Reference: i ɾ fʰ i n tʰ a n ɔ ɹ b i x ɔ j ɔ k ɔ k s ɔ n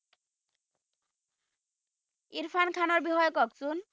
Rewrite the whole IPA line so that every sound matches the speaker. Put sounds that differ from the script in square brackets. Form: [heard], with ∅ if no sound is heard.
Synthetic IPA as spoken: i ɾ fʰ [a] n [kʰ] a n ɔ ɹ b i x ɔ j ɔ k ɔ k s [u] n

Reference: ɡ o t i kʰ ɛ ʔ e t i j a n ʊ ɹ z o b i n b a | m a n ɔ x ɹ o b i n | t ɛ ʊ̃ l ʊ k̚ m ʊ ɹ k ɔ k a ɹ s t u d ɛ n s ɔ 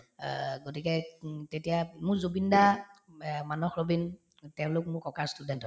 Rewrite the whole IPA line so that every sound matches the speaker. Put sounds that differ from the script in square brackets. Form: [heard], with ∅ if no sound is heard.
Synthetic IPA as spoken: ɡ o t i [k] ɛ [t] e t i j a [m] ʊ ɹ z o b i n [d] a | m a n ɔ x ɹ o b i n | t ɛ ʊ̃ l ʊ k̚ m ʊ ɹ k ɔ k a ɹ s t u d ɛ n [t] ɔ

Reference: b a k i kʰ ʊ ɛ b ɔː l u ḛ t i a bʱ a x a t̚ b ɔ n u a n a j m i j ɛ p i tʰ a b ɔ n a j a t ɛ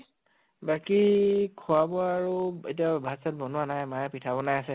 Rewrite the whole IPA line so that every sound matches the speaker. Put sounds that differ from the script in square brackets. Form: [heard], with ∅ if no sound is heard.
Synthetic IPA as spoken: b a k i kʰ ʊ [a] b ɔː [ɹ] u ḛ t i a bʱ a [s] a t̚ b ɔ n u a n a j m [a] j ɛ p i tʰ a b ɔ n a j a [s] ɛ

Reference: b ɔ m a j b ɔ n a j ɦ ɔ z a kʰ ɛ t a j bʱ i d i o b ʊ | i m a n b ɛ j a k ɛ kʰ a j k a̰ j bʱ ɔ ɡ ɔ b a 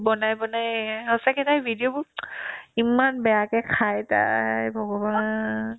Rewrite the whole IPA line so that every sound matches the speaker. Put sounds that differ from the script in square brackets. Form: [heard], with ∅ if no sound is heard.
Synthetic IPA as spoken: b ɔ [n] a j b ɔ n a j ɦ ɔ [s] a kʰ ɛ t a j bʱ i d i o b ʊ | i m a n b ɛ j a k ɛ kʰ a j [t] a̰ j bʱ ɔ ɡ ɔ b a

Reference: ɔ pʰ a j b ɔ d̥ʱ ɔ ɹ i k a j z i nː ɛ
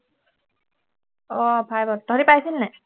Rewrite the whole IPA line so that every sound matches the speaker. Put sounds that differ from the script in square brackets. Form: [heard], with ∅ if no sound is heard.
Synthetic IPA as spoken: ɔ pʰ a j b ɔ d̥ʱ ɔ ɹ i [p] a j [s] i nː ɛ

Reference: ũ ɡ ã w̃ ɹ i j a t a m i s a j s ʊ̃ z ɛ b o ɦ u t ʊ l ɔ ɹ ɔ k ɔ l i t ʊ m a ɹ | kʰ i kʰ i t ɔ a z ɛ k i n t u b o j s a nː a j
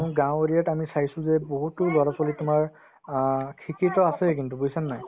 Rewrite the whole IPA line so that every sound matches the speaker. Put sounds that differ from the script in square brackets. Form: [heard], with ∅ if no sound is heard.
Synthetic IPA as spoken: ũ ɡ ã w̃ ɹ i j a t a m i s a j s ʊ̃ z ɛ b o ɦ u t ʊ l ɔ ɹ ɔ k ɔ l i t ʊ m a ɹ | kʰ i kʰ i t ɔ a [s] ɛ k i n t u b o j s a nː a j

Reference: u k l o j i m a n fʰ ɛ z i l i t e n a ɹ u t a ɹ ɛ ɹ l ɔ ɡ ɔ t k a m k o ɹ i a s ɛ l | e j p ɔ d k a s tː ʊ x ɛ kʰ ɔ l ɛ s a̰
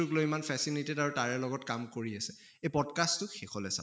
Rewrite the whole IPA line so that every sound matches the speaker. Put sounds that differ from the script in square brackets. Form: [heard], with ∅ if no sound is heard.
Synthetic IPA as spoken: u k l o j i m a n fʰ ɛ [s] i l i t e [d] a ɹ u t a ɹ ɛ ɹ l ɔ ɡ ɔ t k a m k o ɹ i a s ɛ [∅] | e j p ɔ d k a s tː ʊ x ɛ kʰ ɔ l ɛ s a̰

